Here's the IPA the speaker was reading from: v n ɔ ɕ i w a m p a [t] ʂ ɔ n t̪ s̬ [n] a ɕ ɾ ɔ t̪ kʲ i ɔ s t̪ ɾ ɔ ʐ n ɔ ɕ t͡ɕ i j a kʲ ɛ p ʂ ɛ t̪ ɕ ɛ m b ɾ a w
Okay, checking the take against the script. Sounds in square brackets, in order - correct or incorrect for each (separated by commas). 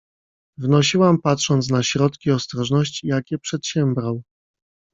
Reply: correct, correct